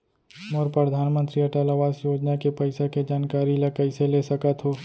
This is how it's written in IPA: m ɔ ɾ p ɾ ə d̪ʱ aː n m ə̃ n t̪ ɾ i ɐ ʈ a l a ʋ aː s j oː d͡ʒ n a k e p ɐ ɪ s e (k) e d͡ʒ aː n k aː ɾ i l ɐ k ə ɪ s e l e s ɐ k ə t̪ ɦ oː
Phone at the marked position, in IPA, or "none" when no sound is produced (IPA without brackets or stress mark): k